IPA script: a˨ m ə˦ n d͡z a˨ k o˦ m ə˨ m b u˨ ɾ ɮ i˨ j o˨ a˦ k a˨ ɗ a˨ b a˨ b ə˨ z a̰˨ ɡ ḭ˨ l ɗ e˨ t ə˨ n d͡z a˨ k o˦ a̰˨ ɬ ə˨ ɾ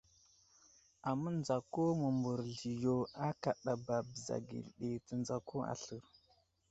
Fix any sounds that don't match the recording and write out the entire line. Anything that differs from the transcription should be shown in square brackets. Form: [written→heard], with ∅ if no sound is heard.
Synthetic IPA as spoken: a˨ m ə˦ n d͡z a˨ k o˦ m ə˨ m b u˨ ɾ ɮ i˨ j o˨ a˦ k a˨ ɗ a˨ b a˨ b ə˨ z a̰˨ ɡ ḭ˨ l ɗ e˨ t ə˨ n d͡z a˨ k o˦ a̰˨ ɬ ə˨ ɾ